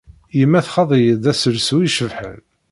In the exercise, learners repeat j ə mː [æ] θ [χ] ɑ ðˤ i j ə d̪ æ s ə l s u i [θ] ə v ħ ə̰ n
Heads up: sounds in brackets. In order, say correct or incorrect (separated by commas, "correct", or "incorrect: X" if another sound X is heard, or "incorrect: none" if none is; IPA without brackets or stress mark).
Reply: correct, correct, incorrect: ʃ